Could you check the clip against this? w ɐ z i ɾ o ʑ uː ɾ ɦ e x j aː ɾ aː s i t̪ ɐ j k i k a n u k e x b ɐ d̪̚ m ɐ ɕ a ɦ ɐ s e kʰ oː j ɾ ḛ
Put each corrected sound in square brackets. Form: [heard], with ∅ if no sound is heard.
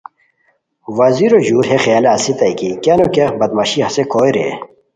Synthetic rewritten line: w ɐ z i ɾ o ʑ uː ɾ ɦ e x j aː [l] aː s i t̪ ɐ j k i k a n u k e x b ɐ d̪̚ m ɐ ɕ [i] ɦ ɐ s e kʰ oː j ɾ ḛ

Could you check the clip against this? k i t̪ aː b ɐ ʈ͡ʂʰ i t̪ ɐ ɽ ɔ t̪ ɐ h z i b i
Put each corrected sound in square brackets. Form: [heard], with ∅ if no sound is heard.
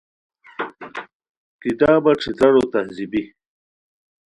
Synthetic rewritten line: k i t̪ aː b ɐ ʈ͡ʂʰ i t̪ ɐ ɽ [o] t̪ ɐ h z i b i

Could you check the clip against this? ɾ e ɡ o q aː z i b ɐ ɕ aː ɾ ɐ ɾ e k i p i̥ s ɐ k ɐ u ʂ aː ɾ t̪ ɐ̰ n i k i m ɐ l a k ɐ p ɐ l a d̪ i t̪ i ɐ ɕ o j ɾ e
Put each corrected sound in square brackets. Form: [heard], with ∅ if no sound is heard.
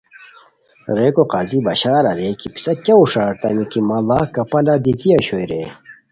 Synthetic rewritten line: ɾ e [k] o q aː z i b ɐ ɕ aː ɾ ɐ ɾ e k i p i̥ s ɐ k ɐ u ʂ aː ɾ t̪ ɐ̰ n i k i m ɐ l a k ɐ p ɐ l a d̪ i t̪ i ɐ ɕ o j ɾ e

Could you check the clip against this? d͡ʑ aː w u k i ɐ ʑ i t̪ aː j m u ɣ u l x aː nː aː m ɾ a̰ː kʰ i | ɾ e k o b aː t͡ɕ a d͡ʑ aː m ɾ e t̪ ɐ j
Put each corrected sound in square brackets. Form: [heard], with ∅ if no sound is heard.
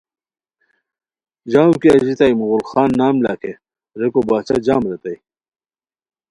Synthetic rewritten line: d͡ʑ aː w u k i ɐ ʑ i t̪ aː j m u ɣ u l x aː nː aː m [l] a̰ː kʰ [e] | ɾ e k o b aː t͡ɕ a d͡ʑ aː m ɾ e t̪ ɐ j

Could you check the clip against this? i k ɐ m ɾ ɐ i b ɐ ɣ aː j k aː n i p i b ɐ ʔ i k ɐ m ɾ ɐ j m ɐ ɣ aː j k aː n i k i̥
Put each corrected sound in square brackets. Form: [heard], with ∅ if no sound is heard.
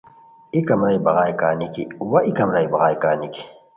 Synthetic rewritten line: i k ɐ m ɾ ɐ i b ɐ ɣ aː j k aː n i [k] i [w] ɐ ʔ i k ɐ m ɾ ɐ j [b] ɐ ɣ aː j k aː n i k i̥

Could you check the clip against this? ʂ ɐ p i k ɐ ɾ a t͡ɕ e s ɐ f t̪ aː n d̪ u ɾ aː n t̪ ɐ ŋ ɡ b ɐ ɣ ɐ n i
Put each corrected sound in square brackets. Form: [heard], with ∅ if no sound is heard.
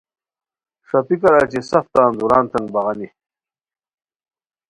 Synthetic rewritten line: ʂ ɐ p i k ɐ ɾ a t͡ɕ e s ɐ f t̪ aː n d̪ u ɾ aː n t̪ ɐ ŋ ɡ b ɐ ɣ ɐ n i

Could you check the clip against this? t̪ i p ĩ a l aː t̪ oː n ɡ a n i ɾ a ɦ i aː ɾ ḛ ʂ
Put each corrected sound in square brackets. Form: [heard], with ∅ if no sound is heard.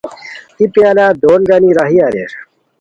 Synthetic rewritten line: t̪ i p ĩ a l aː [d̪] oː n ɡ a n i ɾ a ɦ i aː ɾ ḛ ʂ

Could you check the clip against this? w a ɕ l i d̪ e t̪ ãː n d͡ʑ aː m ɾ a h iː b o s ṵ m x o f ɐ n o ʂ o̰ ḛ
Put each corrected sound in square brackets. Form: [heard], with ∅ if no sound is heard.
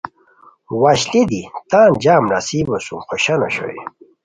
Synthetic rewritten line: w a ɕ l i d̪ [i] t̪ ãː n d͡ʑ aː m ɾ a [s] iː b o s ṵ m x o [ɕ] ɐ n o [ɕ] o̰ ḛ

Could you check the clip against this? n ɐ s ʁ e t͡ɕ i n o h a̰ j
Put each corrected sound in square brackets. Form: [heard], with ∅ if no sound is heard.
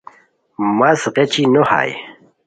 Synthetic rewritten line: [m] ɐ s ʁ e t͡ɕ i n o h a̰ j

